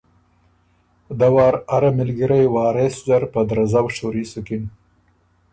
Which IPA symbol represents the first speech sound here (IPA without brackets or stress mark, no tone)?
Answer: d̪